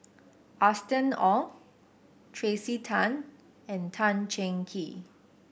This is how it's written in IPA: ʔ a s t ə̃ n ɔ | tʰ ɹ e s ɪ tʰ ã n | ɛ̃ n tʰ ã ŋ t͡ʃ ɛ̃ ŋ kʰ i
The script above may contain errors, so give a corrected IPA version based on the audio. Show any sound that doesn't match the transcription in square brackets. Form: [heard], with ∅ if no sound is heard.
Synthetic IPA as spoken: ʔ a s t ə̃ n ɔ | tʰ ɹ e s [i] tʰ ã n | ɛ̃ n tʰ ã [n] t͡ʃ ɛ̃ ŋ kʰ i